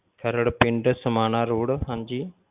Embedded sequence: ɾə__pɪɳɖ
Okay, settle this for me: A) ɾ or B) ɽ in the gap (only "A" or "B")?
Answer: B